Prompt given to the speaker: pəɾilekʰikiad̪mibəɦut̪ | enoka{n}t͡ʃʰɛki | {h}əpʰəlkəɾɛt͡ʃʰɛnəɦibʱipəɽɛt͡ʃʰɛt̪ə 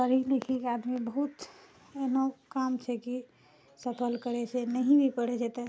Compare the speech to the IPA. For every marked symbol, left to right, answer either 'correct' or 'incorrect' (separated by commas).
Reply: incorrect, incorrect